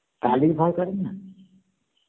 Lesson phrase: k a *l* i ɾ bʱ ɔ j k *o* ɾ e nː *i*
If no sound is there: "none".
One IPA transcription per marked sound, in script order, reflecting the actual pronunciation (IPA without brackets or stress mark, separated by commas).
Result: l, ɔ, a